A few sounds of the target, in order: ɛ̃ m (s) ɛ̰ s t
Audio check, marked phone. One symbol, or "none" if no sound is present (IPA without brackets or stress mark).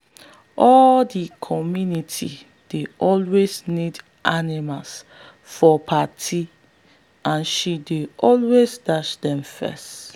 f